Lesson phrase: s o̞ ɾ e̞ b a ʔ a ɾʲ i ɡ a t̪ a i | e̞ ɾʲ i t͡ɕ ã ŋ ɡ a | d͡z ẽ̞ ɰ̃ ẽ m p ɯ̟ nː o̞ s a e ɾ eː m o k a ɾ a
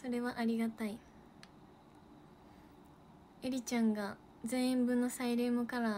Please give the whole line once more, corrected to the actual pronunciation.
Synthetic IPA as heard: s o̞ ɾ e̞ β a ʔ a ɾʲ i ɡ a t̪ a i | e̞ ɾʲ i t͡ɕ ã ŋ ɡ a | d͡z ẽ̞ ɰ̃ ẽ m b ɯ̟ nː o̞ s a i ɾ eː m o k a ɾ a

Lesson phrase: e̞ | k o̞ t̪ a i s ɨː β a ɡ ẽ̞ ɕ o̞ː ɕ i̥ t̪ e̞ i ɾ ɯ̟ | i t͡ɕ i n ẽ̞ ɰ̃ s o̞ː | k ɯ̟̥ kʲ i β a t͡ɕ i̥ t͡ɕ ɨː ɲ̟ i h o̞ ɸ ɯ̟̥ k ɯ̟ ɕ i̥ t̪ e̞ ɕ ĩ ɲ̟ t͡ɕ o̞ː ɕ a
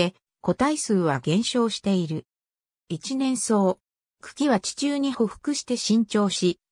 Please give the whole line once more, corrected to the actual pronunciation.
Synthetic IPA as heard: e̞ | k o̞ t̪ a i s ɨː β a ɡ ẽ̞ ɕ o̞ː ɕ i̥ t̪ e̞ i ɾ ɯ̟ | i t͡ɕ i n ẽ̞ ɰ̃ s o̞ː | k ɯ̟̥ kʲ i β a t͡ɕ i̥ t͡ɕ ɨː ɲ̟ i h o̞ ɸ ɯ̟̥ k ɯ̟ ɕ i̥ t̪ e̞ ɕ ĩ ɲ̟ t͡ɕ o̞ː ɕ i

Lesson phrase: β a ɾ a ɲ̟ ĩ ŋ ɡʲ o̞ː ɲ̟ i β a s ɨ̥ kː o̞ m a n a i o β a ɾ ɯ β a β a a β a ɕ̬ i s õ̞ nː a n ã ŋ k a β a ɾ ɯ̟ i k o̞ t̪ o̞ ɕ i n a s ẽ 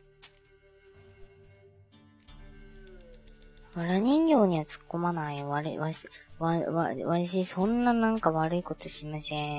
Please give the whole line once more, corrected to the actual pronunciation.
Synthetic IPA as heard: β a ɾ a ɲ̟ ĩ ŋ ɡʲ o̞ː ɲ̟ i β a t͡s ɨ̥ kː o̞ m a n a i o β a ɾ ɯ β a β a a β a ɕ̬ i s õ̞ nː a n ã ŋ k a β a ɾ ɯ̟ i k o̞ t̪ o̞ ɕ i m a s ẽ

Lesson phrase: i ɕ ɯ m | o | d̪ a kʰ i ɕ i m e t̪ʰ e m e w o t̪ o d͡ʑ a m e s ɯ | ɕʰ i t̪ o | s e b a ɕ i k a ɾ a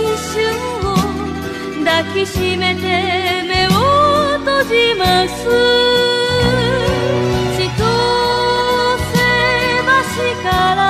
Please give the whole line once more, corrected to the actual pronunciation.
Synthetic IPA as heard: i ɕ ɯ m | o | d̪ a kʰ i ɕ i m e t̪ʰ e m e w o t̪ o d͡ʑ i m a s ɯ | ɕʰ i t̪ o | s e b a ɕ i k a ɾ a

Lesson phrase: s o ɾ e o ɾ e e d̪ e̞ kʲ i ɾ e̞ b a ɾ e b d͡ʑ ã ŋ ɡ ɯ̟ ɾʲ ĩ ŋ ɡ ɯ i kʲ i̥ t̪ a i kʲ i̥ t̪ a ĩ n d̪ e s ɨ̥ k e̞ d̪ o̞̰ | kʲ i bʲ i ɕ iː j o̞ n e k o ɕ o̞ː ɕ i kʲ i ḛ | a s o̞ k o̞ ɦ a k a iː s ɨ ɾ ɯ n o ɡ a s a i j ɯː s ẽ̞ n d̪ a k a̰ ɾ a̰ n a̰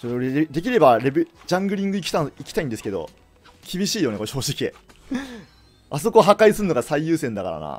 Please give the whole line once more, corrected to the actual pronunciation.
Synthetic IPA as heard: s o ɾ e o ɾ e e d̪ e̞ kʲ i ɾ e̞ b a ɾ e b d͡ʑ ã ŋ ɡ ɯ̟ ɾʲ ĩ ŋ ɡ ɯ i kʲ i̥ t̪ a i kʲ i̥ t̪ a ĩ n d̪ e s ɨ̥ k e̞ d̪ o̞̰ | kʲ i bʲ i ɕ iː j o̞ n e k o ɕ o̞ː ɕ i kʲ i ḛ | a s o̞ k o̞ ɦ a k a i s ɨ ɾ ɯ n o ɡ a s a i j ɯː s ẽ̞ n d̪ a k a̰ ɾ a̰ n a̰

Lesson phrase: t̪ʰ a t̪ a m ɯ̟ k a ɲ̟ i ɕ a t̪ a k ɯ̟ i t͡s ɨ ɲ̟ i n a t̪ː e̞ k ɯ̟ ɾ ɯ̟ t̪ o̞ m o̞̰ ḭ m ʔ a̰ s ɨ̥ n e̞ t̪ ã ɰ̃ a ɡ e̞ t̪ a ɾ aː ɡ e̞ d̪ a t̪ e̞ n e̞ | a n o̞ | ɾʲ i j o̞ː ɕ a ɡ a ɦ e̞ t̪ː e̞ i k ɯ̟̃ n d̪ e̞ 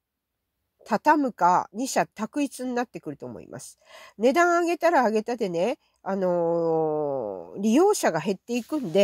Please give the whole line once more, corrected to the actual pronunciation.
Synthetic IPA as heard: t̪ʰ a t̪ a m ɯ̟ k a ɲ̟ i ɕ a t̪ a k ɯ̟ i t͡s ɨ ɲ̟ i n a t̪ː e̞ k ɯ̟ ɾ ɯ̟ t̪ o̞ m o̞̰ ḭ m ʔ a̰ s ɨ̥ n e̞ d̪ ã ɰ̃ a ɡ e̞ t̪ a ɾ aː ɡ e̞ t̪ a d̪ e̞ n e̞ | a n o̞ | ɾʲ i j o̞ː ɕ a ɡ a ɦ e̞ t̪ː e̞ i k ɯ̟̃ n d̪ e̞

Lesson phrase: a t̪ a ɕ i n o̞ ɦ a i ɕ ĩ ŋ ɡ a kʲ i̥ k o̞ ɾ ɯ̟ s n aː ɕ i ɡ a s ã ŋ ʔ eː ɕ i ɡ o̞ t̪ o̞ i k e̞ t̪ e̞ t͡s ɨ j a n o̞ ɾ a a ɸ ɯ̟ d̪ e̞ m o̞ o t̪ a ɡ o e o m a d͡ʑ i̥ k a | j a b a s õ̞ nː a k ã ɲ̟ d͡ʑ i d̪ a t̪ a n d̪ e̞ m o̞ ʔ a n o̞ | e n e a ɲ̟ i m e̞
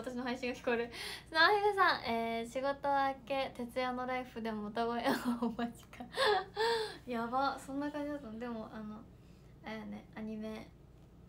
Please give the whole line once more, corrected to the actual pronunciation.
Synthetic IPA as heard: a t̪ a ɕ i n o̞ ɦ a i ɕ ĩ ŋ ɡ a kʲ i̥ k o̞ ɾ ɯ̟ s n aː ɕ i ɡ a s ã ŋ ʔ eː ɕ i ɡ o̞ t̪ o̞ a k e̞ t̪ e̞ t͡s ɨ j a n o̞ ɾ a i ɸ ɯ̟ d̪ e̞ m o̞ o t̪ a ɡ o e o m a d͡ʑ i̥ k a | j a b a s õ̞ nː a k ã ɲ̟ d͡ʑ i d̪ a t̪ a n d̪ e̞ m o̞ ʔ a n o̞ | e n e a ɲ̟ i m e̞

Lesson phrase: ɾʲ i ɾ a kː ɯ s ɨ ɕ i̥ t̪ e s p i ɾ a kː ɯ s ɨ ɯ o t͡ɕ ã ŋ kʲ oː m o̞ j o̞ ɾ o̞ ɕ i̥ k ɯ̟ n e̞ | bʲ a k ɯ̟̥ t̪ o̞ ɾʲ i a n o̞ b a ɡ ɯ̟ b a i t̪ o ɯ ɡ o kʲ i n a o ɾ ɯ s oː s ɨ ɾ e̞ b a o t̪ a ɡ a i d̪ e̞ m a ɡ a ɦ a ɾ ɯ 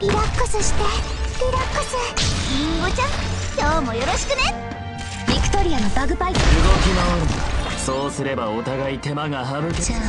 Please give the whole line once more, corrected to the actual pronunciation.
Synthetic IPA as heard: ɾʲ i ɾ a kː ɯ s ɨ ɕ i̥ t̪ e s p i ɾ a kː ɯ s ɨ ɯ o t͡ɕ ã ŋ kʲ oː m o̞ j o̞ ɾ o̞ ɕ i̥ k ɯ̟ n e̞ | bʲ i k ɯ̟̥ t̪ o̞ ɾʲ i a n o̞ b a ɡ ɯ̟ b a i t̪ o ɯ ɡ o kʲ i n a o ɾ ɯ s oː s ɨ ɾ e̞ b a o t̪ a ɡ a i t̪ e̞ m a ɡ a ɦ a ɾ ɯ

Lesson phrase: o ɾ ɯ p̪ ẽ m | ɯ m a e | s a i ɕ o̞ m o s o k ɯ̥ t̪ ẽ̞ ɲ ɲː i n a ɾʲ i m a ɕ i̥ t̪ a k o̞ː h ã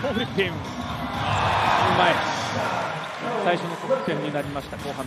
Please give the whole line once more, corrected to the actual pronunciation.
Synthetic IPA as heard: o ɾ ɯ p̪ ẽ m | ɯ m a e | s a i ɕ o̞ n o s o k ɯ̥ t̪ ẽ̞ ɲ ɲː i n a ɾʲ i m a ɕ i̥ t̪ a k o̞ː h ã

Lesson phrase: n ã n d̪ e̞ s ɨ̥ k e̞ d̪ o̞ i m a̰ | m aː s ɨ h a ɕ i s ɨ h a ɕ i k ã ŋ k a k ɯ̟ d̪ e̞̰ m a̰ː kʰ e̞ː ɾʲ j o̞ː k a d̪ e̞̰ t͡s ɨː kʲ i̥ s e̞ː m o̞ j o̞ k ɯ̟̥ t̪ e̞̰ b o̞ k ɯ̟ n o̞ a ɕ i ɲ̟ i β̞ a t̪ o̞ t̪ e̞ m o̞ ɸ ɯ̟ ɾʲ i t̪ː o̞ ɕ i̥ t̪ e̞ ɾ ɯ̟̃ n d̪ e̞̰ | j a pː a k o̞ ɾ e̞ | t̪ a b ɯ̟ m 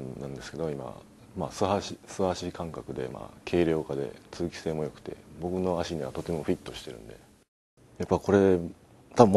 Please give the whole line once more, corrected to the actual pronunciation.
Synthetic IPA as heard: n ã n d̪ e̞ s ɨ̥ k e̞ d̪ o̞ i m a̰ | m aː s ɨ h a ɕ i s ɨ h a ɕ i k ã ŋ k a k ɯ̟ d̪ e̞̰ m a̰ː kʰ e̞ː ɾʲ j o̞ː k a d̪ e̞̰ t͡s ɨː kʲ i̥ s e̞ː m o̞ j o̞ k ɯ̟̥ t̪ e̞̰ b o̞ k ɯ̟ n o̞ a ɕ i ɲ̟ i β̞ a t̪ o̞ t̪ e̞ m o̞ ɸ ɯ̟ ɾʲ i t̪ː o̞ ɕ i̥ t̪ e̞ ɾ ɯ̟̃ n d̪ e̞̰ | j a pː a k o̞ ɾ e̞ | t̪ a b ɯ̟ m

